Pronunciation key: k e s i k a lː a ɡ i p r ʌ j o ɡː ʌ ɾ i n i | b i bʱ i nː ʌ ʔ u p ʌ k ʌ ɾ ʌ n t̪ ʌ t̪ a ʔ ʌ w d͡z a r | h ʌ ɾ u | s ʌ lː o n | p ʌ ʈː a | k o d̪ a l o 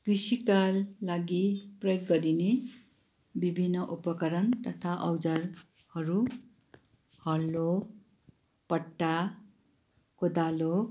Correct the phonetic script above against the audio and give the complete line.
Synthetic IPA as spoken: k i s i k a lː a ɡ i p r ʌ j o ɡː ʌ ɾ i n e | b i bʱ i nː ʌ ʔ u p ʌ k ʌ ɾ ʌ n t̪ ʌ t̪ʰ a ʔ ʌ w d͡z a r | h ʌ ɾ u | h ʌ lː o | p ʌ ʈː a | k o d̪ a l o